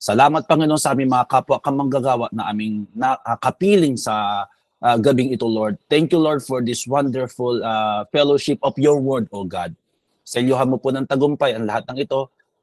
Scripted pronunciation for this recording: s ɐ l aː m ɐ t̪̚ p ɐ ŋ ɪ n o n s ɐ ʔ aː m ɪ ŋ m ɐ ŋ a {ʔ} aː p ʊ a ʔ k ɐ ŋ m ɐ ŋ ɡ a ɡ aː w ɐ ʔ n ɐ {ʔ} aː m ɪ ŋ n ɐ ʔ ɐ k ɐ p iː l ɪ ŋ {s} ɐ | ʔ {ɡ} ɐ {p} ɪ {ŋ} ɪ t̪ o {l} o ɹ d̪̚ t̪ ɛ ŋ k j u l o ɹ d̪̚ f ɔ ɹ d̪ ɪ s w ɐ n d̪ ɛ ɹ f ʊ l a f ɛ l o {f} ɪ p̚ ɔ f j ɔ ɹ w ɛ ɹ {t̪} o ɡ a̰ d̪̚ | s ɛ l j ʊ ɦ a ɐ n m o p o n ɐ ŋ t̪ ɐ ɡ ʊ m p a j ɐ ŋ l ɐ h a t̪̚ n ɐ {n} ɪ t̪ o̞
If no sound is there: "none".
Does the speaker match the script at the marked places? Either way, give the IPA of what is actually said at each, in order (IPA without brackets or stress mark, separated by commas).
k, ʔ, s, ɡ, b, ŋ, l, ʃ, d̪, ŋ